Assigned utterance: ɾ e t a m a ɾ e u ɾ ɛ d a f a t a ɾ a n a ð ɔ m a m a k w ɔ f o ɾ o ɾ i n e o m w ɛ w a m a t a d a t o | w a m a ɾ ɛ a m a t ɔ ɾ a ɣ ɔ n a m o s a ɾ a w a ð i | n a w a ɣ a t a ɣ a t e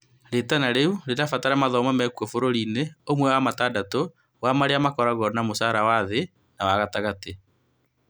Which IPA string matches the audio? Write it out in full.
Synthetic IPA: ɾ e t a n a ɾ e u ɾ e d a f a t a ɾ a m a ð ɔ m a m ɛ k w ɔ f o ɾ o ɾ i n e o m w ɛ w a m a t a d a t o | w a m a ɾ e a m a k ɔ ɾ a ɣ ɔ n a m o s a ɾ a w a ð e | n a w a ɣ a t a ɣ a t e